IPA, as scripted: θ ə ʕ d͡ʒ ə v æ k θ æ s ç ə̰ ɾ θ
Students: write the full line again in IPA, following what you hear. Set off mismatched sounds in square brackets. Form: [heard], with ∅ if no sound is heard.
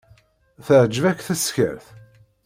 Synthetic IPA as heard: θ ə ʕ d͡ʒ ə v æ k θ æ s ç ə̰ ɾ θ

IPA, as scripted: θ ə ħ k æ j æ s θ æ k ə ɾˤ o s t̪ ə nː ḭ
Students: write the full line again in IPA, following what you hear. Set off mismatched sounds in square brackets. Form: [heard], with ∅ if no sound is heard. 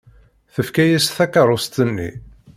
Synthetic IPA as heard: θ ə [f] k æ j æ s θ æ k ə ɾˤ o s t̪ ə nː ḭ

